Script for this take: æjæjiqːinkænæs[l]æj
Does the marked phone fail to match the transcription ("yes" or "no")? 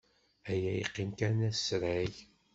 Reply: yes